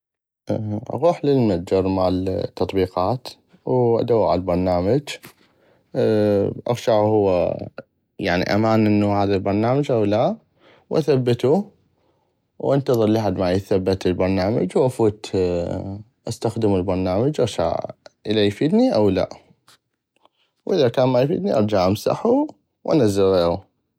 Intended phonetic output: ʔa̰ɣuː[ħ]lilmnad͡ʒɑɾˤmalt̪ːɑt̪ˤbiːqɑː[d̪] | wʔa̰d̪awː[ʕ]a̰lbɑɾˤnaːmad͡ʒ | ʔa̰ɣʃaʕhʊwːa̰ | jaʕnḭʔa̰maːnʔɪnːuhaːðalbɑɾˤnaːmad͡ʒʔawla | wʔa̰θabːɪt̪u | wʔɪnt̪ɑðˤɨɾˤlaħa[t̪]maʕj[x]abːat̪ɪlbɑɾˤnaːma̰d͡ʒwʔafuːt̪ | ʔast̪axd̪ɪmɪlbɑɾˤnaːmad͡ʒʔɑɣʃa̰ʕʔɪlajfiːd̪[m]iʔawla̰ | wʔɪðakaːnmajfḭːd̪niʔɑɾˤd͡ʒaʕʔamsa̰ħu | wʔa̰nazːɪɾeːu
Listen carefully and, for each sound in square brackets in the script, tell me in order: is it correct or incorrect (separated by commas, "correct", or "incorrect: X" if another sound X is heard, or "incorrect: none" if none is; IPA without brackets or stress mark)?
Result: correct, incorrect: t̪, correct, incorrect: d̪, incorrect: θ, incorrect: n